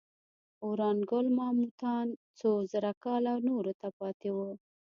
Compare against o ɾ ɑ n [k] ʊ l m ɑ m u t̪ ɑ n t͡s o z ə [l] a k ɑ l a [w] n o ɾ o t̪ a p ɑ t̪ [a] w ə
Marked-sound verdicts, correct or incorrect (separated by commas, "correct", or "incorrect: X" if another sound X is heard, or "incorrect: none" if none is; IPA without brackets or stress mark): incorrect: ɡ, incorrect: ɾ, correct, incorrect: e